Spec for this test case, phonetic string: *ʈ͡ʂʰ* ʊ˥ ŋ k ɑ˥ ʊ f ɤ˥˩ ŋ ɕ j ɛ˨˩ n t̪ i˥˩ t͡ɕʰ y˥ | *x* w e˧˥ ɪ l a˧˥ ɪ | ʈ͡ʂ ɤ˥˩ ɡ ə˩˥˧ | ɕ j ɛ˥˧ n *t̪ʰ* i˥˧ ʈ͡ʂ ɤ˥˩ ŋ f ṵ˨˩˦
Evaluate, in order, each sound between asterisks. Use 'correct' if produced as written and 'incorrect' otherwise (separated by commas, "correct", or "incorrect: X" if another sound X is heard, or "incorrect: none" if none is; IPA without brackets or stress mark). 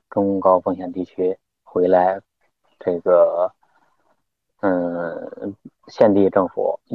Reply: incorrect: ʈ͡ʂ, correct, incorrect: t̪